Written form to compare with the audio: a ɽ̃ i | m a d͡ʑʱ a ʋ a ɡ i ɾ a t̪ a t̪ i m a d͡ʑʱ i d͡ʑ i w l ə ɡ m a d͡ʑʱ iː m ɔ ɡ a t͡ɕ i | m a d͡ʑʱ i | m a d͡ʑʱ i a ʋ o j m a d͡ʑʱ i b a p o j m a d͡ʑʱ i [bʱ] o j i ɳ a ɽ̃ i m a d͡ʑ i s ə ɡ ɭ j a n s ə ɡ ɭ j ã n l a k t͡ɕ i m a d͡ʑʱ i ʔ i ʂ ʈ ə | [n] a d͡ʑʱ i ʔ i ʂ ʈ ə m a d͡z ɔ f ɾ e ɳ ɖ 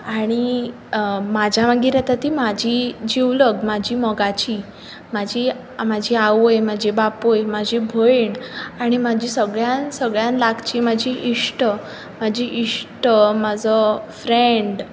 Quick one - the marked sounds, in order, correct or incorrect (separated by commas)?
correct, incorrect